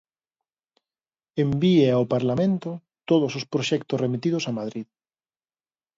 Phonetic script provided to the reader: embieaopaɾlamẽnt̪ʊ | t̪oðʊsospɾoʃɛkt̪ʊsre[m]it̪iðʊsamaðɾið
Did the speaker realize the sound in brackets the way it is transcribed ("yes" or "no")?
yes